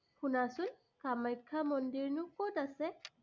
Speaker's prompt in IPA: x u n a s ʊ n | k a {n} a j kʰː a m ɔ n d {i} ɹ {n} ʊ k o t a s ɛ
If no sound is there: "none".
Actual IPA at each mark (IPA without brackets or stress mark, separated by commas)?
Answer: m, i, n